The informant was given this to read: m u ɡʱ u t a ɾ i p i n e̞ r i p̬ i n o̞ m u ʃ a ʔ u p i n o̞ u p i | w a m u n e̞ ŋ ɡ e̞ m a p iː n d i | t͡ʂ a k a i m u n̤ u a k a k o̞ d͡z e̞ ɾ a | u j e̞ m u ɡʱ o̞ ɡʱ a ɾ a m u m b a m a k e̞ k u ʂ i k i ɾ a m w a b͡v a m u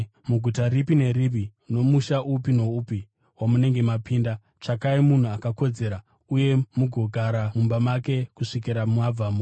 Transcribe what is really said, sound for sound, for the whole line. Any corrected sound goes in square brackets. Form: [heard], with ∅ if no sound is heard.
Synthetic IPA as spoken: m u ɡʱ u t a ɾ i p i n e̞ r i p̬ i n o̞ m u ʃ a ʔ u p i n o̞ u p i | w a m u n e̞ ŋ ɡ e̞ m a p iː n d [a] | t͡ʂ a k a i m u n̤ u a k a k o̞ d͡z e̞ ɾ a | u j e̞ m u ɡʱ o̞ ɡʱ a ɾ a m u m b a m a k e̞ k u ʂ i k i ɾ a m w a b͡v a m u